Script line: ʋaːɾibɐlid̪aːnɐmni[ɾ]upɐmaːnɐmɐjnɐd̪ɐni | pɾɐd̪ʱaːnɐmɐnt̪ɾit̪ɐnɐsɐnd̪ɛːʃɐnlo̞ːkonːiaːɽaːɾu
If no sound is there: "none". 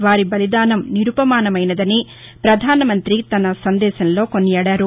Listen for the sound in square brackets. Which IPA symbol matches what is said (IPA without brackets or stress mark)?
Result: ɾ